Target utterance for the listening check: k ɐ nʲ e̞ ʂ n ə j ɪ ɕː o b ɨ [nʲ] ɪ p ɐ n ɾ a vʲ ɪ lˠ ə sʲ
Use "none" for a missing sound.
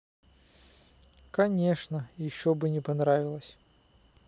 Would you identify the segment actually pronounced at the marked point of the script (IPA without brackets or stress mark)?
nʲ